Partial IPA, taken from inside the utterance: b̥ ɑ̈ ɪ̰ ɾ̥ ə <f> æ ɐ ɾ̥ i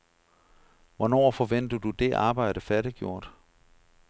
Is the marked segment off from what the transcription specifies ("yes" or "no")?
no